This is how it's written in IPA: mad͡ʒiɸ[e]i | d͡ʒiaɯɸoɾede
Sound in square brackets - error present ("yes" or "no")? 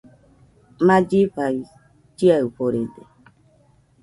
yes